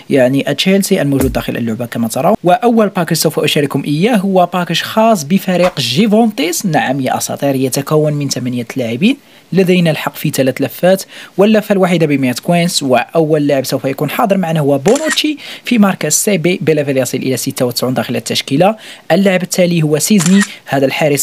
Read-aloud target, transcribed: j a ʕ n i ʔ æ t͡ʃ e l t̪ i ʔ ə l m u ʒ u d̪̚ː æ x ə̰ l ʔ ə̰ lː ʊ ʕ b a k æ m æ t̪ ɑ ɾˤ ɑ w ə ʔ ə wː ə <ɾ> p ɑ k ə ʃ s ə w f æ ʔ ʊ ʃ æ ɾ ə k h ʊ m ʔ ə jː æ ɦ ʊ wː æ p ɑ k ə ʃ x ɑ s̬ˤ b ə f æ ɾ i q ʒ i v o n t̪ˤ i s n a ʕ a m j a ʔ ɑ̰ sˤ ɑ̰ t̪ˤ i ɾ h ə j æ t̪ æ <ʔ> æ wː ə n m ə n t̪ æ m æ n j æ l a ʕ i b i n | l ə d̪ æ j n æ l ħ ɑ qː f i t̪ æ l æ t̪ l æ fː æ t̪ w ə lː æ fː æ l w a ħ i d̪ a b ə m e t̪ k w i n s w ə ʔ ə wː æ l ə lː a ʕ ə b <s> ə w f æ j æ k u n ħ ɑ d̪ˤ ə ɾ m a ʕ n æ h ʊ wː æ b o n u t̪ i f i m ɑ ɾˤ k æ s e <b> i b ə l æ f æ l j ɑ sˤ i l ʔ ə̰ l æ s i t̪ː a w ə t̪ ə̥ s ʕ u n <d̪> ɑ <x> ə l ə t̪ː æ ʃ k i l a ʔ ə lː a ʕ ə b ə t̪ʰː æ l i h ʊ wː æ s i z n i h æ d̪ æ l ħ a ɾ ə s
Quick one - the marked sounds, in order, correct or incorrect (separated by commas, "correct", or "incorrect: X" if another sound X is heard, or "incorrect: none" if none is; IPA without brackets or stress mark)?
incorrect: l, incorrect: k, correct, correct, correct, correct